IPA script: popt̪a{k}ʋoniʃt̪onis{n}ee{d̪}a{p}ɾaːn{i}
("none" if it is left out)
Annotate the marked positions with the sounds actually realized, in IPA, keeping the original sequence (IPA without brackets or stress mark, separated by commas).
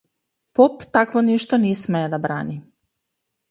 k, m, d̪, b, i